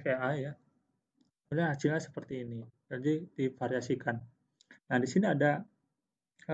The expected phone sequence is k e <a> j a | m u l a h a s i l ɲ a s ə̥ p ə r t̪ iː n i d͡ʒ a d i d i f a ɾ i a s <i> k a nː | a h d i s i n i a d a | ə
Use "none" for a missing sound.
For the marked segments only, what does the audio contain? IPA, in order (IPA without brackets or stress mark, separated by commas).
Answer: a, i